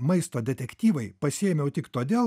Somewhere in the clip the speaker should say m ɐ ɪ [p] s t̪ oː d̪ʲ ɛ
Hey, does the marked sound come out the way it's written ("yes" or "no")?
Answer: no